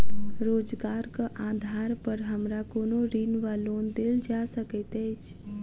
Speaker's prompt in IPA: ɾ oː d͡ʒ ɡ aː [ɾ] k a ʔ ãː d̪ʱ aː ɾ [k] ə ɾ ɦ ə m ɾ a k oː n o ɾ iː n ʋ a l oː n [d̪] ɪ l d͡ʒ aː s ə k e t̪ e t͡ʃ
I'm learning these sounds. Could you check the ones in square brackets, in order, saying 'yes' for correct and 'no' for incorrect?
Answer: yes, no, yes

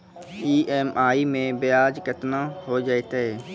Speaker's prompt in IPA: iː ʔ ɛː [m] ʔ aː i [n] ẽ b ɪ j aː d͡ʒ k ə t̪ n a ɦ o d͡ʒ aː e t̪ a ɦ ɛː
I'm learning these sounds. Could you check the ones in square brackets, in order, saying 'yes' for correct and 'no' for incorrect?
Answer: yes, no

